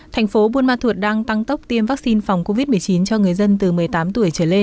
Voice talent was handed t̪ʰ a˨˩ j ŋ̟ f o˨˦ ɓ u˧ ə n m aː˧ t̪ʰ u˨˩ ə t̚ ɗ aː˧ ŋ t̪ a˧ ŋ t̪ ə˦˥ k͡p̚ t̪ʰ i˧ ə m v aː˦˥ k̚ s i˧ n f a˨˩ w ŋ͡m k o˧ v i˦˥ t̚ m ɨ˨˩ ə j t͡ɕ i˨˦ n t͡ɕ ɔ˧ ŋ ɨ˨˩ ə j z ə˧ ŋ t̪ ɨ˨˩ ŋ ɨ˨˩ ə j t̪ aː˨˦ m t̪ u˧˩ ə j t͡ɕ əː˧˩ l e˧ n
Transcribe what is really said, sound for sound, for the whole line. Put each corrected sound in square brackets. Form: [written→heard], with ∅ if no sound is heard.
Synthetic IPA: t̪ʰ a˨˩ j ŋ̟ f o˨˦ ɓ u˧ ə n m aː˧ t̪ʰ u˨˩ ə t̚ ɗ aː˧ ŋ t̪ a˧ ŋ t̪ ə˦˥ k͡p̚ [t̪ʰ→t̪] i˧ ə m v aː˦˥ k̚ s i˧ n f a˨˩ w ŋ͡m k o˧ v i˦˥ t̚ m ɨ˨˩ ə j t͡ɕ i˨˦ n t͡ɕ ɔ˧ ŋ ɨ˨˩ ə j z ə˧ [ŋ→n] t̪ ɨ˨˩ [ŋ→m] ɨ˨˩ ə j t̪ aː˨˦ m t̪ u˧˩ ə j t͡ɕ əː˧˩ l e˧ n